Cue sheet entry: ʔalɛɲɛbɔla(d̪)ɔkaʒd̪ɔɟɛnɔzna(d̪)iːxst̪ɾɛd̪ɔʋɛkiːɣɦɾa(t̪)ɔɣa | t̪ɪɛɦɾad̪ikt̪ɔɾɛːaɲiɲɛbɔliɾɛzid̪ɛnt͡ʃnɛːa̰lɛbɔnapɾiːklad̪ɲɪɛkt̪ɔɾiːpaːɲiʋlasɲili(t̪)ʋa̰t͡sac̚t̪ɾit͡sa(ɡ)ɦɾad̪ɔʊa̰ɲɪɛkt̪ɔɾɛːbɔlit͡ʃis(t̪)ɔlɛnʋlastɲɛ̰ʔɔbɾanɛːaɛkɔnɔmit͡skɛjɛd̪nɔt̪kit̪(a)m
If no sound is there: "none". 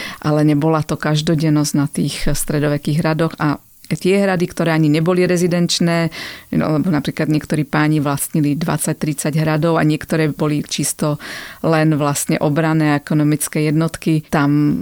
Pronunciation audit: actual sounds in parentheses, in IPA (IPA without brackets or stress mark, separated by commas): t̪, t̪, d̪, d̪, ɟ, t̪, a